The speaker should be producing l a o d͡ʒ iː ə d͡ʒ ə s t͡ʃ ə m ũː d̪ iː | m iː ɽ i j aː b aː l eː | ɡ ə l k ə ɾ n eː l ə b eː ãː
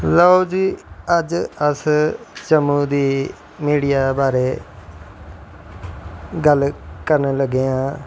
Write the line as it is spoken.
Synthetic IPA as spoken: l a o d͡ʒ iː ə d͡ʒ ə s t͡ʃ ə m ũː d̪ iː | m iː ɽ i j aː b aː ɾ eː | ɡ ə l k ə ɾ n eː l ə ɡ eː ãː